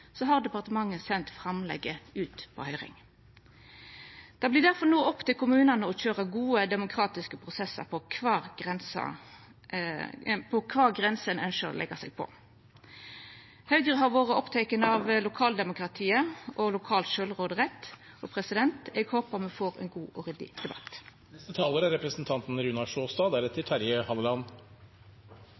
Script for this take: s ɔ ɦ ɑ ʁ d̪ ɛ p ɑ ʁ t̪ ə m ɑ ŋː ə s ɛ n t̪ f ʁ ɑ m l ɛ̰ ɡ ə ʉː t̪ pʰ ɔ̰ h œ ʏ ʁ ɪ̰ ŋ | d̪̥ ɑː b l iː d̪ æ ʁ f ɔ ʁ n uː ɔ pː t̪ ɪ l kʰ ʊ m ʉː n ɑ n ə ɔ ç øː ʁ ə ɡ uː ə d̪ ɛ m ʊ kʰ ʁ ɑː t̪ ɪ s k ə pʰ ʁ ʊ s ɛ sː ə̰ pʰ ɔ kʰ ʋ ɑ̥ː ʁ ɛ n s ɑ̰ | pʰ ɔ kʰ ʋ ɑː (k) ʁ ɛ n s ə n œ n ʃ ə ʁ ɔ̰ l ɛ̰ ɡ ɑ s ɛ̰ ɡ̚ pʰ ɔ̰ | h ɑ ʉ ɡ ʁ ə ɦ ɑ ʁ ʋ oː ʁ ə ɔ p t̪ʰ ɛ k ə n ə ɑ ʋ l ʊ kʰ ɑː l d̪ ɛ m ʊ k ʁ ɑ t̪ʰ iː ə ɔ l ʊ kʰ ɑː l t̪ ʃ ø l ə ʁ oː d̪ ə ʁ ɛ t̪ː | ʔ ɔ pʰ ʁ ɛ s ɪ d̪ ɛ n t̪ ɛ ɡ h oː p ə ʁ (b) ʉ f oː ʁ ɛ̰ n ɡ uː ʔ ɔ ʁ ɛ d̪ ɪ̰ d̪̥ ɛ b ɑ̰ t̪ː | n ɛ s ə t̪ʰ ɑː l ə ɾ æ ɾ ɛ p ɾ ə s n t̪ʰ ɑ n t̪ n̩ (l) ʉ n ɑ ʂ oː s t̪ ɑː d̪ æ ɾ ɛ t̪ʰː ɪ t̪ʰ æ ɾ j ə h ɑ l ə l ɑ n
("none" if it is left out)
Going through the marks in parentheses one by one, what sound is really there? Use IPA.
ɡ, m, ɾ

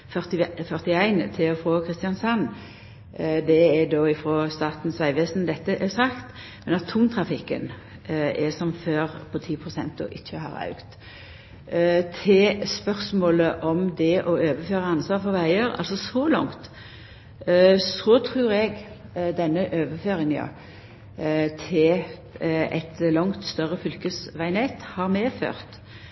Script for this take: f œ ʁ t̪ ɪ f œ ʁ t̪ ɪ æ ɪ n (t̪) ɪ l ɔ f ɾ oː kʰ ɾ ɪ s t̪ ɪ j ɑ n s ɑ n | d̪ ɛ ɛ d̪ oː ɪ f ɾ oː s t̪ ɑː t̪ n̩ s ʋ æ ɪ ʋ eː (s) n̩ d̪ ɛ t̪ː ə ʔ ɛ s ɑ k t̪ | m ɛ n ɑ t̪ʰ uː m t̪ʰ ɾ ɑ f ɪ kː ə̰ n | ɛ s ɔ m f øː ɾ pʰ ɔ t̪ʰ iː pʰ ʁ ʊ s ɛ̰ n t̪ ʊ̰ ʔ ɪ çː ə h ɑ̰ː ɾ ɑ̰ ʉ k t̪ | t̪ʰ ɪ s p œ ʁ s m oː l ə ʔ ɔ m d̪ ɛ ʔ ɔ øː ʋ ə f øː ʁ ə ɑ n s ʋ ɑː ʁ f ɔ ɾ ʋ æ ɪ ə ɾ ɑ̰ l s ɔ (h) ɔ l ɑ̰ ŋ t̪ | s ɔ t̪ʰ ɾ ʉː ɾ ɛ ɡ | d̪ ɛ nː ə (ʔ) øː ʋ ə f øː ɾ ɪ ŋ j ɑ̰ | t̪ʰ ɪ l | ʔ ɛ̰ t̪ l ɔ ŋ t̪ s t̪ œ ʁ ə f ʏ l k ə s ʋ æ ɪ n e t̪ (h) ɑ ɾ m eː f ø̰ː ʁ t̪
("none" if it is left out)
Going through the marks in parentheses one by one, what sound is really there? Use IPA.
t̪ʰ, s, s, ʔ, h

